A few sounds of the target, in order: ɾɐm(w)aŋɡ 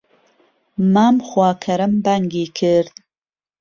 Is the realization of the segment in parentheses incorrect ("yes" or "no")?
yes